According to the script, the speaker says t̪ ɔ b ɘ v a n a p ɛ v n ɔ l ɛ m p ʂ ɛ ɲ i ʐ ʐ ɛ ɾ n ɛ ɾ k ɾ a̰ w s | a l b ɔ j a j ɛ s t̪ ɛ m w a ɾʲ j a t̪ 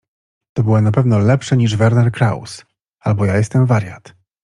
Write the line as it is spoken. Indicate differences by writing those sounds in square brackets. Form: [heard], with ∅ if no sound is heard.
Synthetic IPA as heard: t̪ ɔ b ɘ [w] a n a p ɛ v n ɔ l ɛ [∅] p ʂ ɛ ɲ i ʐ [v] ɛ ɾ n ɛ ɾ k ɾ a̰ w s | a l b ɔ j a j ɛ s t̪ ɛ m [v] a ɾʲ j a t̪